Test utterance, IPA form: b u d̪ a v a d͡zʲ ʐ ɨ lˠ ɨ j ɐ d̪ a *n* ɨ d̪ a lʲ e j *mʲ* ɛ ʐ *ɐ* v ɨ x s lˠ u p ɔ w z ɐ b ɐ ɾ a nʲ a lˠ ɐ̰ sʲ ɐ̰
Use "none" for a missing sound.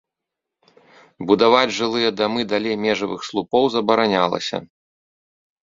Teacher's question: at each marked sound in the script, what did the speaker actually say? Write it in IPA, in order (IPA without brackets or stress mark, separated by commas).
m, mʲ, ɐ